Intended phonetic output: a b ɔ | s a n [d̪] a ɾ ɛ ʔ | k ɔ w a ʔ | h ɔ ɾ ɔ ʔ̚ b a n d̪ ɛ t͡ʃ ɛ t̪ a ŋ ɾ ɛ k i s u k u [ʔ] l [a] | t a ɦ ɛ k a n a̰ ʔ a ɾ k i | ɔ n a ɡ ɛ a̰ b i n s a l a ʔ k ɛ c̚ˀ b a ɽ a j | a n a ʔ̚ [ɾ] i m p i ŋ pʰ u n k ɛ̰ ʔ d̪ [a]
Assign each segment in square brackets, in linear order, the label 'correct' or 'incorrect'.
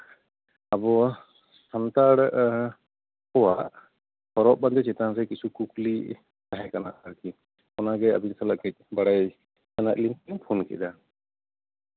incorrect: t̪, incorrect: k, incorrect: i, incorrect: l, correct

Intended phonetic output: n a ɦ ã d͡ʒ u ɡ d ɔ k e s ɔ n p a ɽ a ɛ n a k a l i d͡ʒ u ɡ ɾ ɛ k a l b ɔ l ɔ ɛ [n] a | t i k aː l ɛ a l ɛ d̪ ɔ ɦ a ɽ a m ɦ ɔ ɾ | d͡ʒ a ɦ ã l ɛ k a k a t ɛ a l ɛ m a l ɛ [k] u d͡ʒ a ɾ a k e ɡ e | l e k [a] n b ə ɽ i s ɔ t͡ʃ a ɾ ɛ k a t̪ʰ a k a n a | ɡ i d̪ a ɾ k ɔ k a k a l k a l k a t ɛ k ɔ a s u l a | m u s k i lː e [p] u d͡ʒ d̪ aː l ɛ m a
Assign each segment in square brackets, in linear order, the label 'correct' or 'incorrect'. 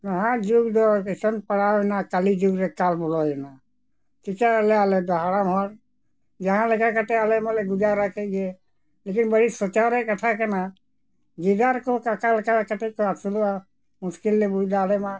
correct, incorrect: ɡ, incorrect: i, incorrect: b

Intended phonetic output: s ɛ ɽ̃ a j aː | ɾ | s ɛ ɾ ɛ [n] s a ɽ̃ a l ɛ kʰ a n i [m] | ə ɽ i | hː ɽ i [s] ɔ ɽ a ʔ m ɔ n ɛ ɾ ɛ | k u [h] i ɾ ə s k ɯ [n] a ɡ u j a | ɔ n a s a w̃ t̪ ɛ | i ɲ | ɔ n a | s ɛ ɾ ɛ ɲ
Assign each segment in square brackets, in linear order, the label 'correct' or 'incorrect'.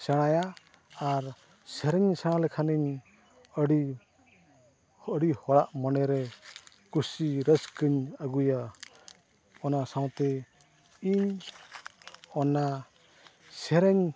incorrect: ɲ, incorrect: ɲ, incorrect: h, incorrect: s, incorrect: ɲ

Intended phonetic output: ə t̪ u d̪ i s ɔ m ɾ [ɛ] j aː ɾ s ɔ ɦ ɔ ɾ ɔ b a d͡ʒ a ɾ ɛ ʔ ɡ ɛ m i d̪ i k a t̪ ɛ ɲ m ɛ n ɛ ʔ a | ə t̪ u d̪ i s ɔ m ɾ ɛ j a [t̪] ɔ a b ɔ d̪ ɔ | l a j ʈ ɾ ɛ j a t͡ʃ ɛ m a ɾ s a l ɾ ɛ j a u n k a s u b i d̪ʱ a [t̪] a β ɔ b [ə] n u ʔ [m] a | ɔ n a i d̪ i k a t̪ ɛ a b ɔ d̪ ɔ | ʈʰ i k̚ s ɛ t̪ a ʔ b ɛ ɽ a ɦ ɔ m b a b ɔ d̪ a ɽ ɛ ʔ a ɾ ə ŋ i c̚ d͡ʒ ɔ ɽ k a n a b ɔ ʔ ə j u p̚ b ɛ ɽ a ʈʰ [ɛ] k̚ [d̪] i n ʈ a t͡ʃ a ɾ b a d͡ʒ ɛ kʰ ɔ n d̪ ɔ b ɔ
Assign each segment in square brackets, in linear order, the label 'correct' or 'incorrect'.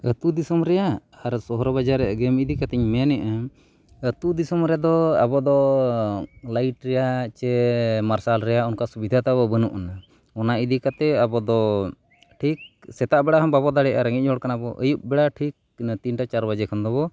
correct, incorrect: d̪, correct, correct, incorrect: n, incorrect: i, incorrect: t̪

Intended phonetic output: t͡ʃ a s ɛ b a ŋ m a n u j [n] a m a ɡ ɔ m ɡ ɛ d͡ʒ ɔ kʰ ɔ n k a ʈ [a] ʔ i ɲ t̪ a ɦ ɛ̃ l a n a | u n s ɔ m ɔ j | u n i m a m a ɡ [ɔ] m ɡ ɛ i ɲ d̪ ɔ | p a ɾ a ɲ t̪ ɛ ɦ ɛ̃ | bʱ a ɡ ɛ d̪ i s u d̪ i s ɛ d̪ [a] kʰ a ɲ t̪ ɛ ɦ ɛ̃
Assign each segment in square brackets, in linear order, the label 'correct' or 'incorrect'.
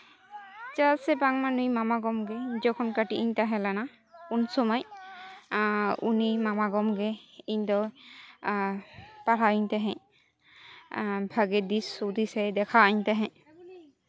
incorrect: m, incorrect: i, correct, incorrect: ɛ

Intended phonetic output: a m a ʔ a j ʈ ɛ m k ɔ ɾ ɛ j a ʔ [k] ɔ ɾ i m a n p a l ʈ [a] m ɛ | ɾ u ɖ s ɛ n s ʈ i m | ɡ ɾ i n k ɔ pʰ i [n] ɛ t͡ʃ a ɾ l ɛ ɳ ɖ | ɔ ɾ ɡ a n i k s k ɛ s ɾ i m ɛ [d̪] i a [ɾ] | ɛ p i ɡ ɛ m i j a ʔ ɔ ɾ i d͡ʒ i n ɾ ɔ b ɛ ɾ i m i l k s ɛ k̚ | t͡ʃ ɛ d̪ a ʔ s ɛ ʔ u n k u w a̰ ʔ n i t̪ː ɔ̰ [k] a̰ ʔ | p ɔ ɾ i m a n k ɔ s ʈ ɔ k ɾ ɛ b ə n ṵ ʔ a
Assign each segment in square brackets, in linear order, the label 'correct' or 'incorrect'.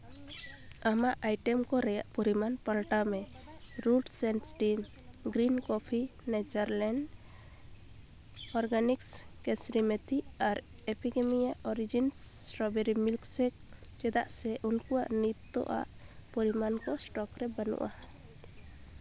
incorrect: p, correct, correct, incorrect: t̪, correct, incorrect: ʔ

